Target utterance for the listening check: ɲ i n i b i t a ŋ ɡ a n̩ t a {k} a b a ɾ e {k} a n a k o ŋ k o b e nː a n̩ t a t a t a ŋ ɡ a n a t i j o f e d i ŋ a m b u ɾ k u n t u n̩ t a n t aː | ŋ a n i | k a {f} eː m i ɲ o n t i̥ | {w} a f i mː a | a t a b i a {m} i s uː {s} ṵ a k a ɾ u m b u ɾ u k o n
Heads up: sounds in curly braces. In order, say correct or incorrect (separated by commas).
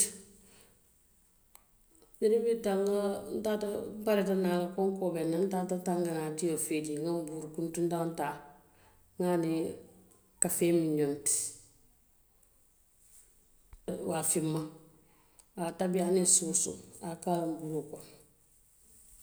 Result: incorrect, incorrect, correct, correct, incorrect, correct